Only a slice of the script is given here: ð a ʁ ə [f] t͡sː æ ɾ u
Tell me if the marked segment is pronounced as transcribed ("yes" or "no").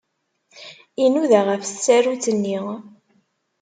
yes